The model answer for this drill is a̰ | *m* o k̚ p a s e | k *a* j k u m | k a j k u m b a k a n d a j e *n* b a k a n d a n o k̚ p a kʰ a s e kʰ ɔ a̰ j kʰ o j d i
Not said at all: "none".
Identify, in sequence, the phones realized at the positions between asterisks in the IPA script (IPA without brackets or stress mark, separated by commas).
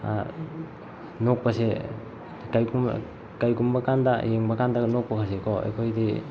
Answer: n, a, ŋ